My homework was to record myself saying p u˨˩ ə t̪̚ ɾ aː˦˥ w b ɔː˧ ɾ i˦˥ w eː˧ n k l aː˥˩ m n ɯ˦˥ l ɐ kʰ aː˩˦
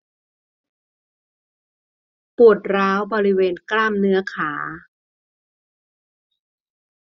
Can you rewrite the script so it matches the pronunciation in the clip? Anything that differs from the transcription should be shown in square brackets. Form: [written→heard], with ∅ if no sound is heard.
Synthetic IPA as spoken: p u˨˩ ə t̪̚ ɾ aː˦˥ w b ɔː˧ ɾ i˦˥ w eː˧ n k l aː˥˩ m n ɯ˦˥ [l→∅] ɐ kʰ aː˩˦